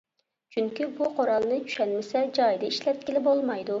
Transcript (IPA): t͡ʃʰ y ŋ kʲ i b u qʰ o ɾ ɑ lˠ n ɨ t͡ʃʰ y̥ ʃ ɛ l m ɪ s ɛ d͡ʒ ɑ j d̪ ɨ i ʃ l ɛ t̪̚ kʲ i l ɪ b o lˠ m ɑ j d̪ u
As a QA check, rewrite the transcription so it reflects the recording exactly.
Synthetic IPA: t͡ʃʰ y ŋ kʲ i b u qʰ o ɾ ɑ lˠ n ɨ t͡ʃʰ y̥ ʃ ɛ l m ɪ s ɛ d͡ʒ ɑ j d̪ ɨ i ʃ l ɛ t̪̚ kʲ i l ɪ b o lˠ m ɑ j d̪ u